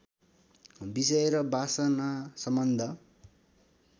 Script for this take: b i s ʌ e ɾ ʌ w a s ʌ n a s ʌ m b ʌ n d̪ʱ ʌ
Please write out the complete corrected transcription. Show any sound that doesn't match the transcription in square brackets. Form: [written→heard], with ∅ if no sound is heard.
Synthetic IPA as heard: b i s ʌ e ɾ ʌ [w→b] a s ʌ n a s ʌ m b ʌ n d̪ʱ ʌ